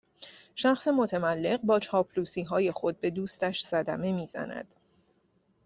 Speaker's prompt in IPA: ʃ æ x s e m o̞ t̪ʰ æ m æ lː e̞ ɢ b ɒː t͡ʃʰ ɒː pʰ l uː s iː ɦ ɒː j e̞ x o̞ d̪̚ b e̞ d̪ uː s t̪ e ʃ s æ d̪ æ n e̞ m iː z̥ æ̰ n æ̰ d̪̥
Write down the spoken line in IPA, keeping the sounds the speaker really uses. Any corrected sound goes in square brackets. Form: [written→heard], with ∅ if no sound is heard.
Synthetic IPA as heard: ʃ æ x s e m o̞ t̪ʰ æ m æ lː e̞ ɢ b ɒː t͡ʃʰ ɒː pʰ l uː s iː ɦ ɒː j e̞ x o̞ d̪̚ b e̞ d̪ uː s t̪ [e→æ] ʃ s æ d̪ æ [n→m] e̞ m iː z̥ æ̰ n æ̰ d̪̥